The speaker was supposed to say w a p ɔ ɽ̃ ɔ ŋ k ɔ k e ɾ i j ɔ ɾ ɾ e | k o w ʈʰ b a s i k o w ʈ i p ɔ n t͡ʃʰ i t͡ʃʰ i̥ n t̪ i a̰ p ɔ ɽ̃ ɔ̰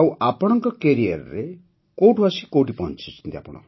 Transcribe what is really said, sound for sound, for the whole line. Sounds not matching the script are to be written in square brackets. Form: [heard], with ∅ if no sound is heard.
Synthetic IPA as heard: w a p ɔ ɽ̃ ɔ ŋ k ɔ k e ɾ i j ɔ ɾ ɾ e | k o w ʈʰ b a s i k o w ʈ i p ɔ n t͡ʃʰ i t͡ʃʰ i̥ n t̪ i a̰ p ɔ ɽ̃ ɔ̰